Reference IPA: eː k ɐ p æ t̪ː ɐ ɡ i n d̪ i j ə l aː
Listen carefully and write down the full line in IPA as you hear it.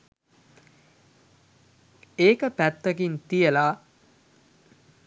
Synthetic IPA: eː k ə p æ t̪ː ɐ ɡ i n t̪ i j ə l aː